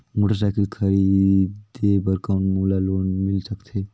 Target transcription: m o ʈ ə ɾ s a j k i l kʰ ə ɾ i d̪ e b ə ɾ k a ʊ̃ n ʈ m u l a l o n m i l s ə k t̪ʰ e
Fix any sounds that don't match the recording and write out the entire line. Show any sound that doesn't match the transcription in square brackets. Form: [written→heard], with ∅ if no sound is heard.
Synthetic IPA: m o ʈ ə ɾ s a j k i l kʰ ə ɾ i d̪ e b ə ɾ k a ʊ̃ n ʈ m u l a l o n m i l s ə k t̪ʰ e